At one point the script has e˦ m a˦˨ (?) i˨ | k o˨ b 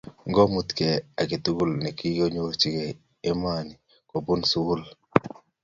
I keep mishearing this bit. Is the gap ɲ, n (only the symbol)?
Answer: n